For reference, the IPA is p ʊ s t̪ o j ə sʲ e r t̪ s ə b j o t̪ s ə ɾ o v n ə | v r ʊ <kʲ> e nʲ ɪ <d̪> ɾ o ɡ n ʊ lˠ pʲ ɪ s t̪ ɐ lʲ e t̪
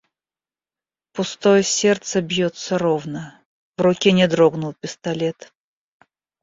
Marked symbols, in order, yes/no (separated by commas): yes, yes